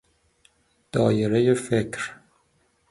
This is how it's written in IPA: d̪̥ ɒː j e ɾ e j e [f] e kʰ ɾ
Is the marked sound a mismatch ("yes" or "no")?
no